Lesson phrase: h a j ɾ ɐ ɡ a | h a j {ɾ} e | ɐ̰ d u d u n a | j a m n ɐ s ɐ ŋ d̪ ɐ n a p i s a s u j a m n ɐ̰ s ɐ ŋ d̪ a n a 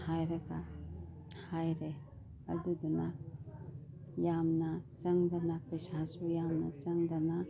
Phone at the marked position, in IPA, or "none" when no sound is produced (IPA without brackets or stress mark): ɾ